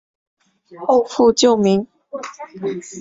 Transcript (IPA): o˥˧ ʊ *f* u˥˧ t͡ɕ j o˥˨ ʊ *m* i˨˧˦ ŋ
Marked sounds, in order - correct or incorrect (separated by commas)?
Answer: correct, correct